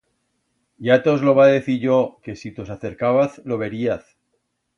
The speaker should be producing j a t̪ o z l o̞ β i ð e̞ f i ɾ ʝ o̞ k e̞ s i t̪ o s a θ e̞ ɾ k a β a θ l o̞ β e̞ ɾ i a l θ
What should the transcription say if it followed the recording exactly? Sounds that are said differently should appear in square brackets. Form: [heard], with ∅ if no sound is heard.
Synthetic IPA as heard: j a t̪ o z l o̞ β [a] ð e̞ [θ] i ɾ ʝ o̞ k e̞ s i t̪ o s a θ e̞ ɾ k a β a θ l o̞ β e̞ ɾ i a [∅] θ